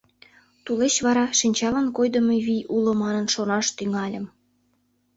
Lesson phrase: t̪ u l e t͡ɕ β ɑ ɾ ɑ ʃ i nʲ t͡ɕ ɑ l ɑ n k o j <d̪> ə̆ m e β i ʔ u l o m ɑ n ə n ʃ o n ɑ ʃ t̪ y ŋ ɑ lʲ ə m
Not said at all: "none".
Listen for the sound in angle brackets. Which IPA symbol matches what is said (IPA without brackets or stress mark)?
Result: d̪